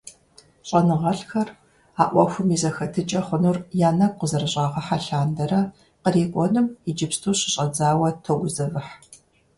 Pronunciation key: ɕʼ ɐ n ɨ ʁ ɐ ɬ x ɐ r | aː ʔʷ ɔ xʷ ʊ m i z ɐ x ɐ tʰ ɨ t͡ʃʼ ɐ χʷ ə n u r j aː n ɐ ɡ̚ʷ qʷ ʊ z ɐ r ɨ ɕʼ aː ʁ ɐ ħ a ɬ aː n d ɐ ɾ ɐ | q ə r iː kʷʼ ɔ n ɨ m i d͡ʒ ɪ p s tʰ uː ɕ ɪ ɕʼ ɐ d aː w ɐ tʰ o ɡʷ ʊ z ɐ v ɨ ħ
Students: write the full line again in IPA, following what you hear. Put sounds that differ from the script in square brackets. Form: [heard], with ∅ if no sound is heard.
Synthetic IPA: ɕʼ ɐ n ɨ ʁ ɐ ɬ x ɐ r | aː ʔʷ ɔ xʷ ʊ m i z ɐ x ɐ tʰ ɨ t͡ʃʼ ɐ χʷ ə n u r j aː n ɐ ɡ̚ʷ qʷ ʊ z ɐ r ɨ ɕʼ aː ʁ ɐ ħ a ɬ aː n d ɐ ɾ ɐ | q ə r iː kʷʼ ɔ n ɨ m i d͡ʒ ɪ p s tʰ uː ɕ ɪ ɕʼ ɐ [d͡z] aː w ɐ tʰ o ɡʷ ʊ z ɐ v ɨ ħ